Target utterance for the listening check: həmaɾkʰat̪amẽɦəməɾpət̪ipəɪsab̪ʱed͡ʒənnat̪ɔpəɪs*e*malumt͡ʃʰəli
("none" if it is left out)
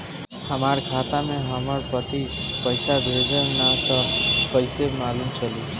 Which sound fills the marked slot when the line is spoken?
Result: e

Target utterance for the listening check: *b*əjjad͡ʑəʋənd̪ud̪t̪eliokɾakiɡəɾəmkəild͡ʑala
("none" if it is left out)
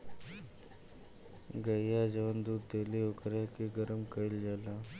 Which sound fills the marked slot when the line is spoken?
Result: ɡ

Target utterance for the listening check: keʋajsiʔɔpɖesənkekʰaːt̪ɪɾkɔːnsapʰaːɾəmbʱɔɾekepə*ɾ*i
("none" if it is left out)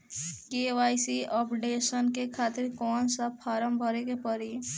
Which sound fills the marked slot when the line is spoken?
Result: ɾ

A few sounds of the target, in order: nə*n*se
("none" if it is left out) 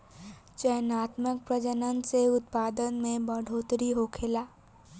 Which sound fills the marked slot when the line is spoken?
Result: n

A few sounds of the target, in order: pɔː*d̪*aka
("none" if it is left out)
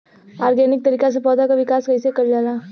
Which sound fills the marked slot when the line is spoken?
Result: d̪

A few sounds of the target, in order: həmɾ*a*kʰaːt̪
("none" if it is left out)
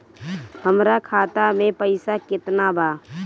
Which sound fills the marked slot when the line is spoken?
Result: a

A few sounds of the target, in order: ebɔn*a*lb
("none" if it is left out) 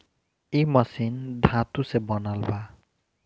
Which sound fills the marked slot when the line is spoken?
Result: a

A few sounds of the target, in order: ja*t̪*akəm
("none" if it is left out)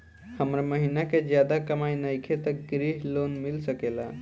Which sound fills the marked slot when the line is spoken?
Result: d̪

